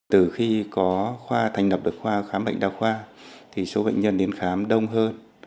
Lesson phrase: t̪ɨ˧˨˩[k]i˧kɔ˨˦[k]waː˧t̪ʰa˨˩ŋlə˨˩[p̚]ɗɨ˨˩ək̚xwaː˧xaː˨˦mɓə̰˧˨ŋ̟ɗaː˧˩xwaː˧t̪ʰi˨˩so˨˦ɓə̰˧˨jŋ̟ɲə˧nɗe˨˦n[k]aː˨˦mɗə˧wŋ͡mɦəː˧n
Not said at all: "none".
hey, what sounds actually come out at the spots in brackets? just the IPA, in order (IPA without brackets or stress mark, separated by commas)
x, x, p̚, x